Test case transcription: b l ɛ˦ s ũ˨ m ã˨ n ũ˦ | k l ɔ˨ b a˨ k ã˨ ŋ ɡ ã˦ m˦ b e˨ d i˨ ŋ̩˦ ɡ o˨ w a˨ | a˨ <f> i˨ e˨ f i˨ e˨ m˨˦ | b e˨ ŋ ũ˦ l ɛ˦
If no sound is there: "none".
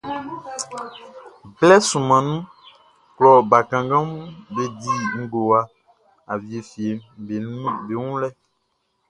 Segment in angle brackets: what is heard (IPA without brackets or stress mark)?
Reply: v